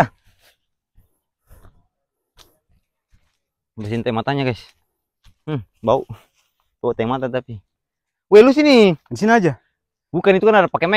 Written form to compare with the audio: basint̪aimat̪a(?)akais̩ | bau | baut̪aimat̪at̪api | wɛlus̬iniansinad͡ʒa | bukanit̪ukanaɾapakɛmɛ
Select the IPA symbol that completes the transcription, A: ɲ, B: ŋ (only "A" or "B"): A